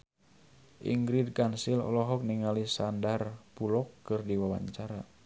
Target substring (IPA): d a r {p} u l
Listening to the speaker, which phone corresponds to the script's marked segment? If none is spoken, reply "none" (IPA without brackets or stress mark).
p